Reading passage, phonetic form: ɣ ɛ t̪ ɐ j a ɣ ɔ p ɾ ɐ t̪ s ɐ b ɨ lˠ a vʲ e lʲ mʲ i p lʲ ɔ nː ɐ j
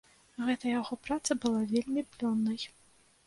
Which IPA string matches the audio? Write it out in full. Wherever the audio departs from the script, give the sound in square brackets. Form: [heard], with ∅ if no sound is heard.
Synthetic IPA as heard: ɣ ɛ t̪ ɐ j a ɣ ɔ p ɾ [a] t̪ s ɐ b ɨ lˠ a vʲ e lʲ mʲ i p lʲ ɔ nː ɐ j